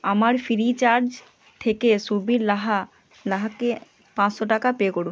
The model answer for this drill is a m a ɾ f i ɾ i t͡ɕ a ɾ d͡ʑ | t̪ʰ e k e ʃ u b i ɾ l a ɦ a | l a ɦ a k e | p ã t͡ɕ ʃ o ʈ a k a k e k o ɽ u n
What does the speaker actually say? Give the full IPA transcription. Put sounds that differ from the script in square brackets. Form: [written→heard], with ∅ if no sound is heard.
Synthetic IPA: a m a ɾ f i ɾ i t͡ɕ a ɾ d͡ʑ | t̪ʰ e k e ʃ u b i ɾ l a ɦ a | l a ɦ a k e | p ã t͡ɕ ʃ o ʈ a k a [k→p] e k o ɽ u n